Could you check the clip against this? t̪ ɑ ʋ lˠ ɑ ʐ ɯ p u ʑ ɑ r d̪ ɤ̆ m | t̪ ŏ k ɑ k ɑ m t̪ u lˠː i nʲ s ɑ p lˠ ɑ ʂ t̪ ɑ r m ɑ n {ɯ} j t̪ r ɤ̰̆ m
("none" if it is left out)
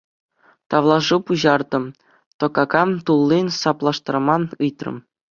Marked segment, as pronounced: ɯ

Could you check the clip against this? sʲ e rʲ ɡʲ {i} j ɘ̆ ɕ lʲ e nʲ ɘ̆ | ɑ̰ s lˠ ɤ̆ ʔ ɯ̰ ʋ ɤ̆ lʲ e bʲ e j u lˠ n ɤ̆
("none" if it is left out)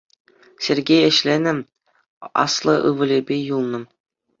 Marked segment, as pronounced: e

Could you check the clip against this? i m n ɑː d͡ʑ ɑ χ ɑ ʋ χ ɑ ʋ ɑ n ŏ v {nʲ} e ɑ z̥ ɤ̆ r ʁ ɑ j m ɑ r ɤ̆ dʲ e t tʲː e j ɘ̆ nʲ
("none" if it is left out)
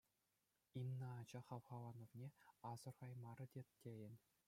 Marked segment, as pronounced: nʲ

